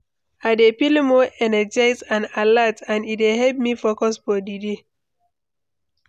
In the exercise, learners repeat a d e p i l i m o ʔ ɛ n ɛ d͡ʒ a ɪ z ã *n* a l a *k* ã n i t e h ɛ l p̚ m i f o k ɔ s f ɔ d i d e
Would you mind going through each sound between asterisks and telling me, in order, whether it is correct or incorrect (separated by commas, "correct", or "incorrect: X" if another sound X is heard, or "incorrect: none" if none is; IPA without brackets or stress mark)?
correct, incorrect: t